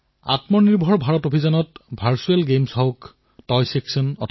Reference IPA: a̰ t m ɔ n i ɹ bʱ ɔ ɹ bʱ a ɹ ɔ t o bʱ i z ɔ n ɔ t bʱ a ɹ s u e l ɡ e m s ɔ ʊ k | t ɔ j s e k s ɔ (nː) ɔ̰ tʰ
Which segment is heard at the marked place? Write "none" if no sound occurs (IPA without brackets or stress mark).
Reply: n